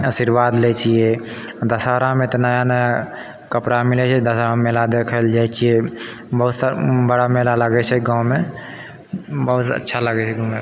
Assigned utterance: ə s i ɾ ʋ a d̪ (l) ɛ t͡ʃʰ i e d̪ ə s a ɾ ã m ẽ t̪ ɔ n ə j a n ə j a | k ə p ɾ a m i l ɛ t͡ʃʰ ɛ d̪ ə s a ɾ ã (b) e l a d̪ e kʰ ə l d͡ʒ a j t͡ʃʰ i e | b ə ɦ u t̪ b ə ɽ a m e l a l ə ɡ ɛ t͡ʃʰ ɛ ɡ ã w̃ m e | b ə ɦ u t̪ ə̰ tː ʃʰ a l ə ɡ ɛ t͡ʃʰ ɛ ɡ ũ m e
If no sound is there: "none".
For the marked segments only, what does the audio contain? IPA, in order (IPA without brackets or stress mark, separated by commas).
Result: l, m